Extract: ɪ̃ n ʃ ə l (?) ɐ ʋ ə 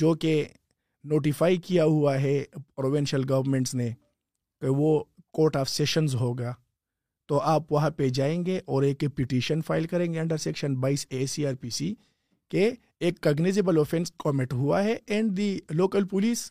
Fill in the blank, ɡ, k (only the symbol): ɡ